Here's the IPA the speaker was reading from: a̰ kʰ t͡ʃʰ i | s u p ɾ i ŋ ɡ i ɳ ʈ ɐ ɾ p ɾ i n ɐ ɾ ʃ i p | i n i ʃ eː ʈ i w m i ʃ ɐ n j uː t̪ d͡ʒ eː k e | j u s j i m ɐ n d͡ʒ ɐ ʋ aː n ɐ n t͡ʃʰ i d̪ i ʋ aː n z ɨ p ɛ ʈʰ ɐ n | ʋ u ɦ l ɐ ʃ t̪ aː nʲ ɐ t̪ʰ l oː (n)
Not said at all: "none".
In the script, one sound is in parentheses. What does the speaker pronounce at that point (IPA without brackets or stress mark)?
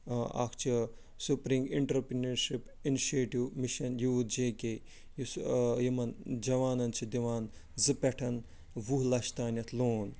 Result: n